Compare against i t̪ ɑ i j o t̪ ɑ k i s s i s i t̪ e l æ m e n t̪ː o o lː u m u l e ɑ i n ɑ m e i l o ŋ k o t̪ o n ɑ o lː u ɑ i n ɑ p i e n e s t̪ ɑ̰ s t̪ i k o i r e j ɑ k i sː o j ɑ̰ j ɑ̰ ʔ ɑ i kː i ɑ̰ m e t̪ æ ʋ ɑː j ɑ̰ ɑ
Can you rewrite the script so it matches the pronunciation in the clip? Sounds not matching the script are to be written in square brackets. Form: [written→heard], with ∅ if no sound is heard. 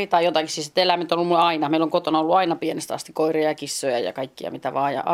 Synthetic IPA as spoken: i t̪ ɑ i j o t̪ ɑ k i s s i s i t̪ e l æ m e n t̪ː o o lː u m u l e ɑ i n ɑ m e i l o ŋ k o t̪ o n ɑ o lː u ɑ i n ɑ p i e n e s t̪ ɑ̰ s t̪ i k o i r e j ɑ k i sː o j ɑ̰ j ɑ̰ [ʔ→k] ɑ i kː i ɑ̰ m [e→i] t̪ æ ʋ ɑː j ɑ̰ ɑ